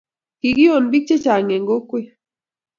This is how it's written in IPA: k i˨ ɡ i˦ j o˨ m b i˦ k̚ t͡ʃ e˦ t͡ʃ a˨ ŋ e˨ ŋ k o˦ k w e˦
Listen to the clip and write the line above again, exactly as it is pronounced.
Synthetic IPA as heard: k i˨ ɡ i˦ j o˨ n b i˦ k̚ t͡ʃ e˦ t͡ʃ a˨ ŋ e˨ ŋ ɡ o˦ k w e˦